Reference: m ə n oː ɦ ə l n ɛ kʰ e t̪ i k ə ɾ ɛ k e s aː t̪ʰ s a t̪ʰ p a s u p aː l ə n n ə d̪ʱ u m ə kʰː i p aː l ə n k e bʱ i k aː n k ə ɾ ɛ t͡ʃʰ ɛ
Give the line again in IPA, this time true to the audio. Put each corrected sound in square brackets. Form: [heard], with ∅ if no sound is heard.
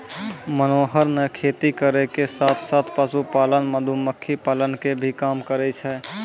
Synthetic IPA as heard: m ə n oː ɦ ə [ɾ] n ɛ kʰ e t̪ i k ə ɾ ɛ k e s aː t̪ʰ s a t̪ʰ p a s u p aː l ə n [m] ə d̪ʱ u m ə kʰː i p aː l ə n k e bʱ i k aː [m] k ə ɾ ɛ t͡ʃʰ ɛ